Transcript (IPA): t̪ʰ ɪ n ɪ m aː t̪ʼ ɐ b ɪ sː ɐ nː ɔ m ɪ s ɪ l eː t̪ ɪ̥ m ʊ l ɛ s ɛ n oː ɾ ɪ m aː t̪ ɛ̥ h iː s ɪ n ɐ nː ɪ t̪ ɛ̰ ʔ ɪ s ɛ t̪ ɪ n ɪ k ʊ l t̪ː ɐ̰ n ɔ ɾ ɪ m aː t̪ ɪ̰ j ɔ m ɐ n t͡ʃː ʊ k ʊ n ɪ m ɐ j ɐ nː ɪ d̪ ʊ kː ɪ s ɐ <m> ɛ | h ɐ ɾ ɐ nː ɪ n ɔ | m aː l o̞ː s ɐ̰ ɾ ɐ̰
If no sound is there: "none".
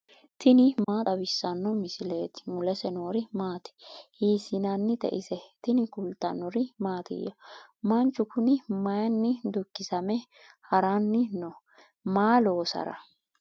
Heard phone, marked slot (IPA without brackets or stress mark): m